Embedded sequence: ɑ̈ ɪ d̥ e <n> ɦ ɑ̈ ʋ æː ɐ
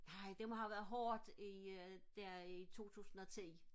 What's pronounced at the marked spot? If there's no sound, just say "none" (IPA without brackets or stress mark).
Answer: m